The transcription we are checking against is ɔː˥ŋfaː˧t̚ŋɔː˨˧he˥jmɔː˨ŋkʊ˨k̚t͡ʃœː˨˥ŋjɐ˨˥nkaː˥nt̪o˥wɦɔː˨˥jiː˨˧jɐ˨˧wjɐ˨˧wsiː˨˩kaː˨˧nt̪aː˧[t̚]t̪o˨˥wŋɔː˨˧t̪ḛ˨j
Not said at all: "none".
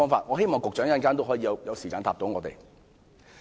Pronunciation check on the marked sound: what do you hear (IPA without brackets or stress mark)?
p̚